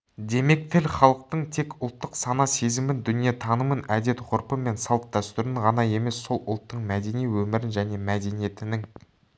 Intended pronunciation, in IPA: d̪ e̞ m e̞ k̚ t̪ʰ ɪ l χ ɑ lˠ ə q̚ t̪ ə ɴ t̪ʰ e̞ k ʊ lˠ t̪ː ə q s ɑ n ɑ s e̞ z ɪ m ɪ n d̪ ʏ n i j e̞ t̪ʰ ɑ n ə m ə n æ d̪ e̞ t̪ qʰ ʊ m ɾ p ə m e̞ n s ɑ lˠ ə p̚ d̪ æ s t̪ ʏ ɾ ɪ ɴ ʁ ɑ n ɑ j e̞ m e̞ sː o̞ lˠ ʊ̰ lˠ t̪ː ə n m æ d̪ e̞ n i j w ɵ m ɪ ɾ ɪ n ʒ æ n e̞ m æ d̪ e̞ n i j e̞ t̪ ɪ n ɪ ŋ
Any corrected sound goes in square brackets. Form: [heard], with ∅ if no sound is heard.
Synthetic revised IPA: d̪ e̞ m e̞ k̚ t̪ʰ ɪ l χ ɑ lˠ ə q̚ t̪ ə ɴ t̪ʰ e̞ k ʊ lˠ t̪ː ə q s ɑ n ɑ s e̞ z ɪ m ɪ n d̪ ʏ n i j e̞ t̪ʰ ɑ n ə m ə n æ d̪ e̞ t̪ qʰ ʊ [∅] ɾ p ə m e̞ n s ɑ lˠ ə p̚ d̪ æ s t̪ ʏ ɾ ɪ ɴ ʁ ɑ n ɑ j e̞ m e̞ sː o̞ lˠ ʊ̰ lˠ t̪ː ə [ɴ] m æ d̪ e̞ n i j w ɵ m ɪ ɾ ɪ n ʒ æ n e̞ m æ d̪ e̞ n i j e̞ t̪ ɪ n ɪ ŋ